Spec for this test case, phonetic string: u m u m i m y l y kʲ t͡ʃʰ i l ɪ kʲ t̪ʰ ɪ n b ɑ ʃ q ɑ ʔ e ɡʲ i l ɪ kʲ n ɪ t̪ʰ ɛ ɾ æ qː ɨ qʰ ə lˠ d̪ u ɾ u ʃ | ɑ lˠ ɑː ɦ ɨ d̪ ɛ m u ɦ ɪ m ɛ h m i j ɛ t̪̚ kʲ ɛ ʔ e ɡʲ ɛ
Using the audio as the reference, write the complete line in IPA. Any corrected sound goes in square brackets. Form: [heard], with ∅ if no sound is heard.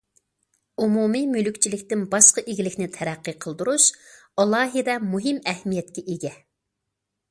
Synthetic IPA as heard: u m u m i m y l y kʲ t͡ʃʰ i l ɪ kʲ [t̪] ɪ n b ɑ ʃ q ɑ ʔ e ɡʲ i l ɪ kʲ n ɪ t̪ʰ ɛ ɾ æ qː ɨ qʰ ə lˠ d̪ u ɾ u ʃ | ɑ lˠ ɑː ɦ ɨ d̪ ɛ m u ɦ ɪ m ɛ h m i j ɛ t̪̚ kʲ ɛ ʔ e ɡʲ ɛ